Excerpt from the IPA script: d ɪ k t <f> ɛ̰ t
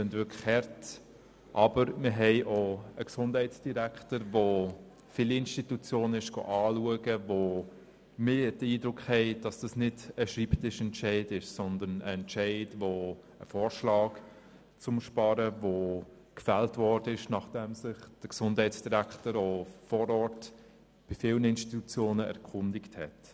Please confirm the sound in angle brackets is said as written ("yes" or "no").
no